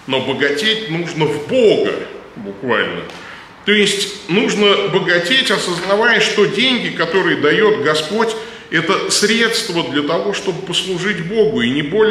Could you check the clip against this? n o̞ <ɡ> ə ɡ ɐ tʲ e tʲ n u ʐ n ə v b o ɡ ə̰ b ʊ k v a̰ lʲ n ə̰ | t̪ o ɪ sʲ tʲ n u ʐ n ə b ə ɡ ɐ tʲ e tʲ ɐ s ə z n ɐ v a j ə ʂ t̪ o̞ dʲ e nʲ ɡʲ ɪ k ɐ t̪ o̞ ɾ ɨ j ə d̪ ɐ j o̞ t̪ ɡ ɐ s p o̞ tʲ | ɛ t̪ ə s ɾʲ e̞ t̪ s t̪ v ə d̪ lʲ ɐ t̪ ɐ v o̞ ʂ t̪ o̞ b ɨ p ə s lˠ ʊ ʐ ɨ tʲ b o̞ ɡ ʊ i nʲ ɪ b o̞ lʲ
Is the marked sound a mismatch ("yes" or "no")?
yes